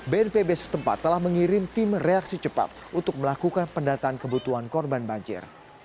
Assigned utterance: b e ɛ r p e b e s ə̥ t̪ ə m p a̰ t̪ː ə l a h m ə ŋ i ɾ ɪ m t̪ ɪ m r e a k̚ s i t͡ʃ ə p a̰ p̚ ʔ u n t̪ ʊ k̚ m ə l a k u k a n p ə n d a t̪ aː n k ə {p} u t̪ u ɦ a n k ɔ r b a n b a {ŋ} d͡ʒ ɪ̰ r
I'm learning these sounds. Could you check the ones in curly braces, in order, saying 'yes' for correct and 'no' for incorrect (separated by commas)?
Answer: no, no